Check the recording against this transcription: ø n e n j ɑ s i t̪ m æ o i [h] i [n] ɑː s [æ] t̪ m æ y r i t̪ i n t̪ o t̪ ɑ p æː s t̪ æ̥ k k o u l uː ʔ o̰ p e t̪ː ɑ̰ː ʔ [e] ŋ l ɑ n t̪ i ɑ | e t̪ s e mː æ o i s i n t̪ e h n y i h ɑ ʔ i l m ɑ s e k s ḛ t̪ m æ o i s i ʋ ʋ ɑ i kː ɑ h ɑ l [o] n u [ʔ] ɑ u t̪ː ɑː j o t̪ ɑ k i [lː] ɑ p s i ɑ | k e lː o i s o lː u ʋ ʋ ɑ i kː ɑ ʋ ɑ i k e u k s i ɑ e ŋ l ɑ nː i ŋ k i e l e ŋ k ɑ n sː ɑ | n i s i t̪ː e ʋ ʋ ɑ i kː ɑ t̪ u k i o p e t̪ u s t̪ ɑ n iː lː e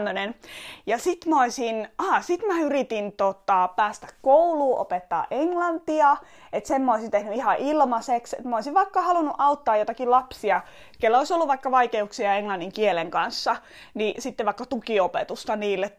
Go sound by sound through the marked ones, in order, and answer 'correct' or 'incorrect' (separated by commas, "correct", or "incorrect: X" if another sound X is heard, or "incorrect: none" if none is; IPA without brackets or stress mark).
incorrect: s, correct, incorrect: i, correct, incorrect: u, correct, incorrect: l